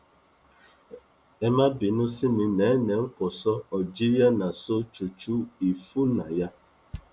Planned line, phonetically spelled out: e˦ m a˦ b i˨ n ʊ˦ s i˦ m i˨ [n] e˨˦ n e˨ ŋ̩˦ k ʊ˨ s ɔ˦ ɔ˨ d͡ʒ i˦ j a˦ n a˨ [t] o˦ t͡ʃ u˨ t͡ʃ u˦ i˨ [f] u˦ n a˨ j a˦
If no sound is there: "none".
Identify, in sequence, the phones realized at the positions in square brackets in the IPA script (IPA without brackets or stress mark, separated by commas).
n, s, f